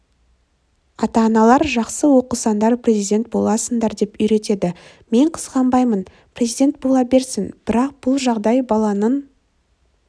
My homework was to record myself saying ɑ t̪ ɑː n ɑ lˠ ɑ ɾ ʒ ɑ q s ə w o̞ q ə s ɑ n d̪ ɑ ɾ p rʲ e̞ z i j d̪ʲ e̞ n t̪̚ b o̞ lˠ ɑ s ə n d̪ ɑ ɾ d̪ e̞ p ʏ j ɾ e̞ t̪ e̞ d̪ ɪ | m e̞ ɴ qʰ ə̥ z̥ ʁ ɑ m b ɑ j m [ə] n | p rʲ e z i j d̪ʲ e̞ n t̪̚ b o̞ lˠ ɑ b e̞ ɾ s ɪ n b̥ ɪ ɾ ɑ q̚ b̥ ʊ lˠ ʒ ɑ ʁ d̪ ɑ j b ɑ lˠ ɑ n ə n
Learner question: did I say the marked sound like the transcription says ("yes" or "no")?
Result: yes